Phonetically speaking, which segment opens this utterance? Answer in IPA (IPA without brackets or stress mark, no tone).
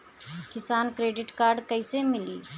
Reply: k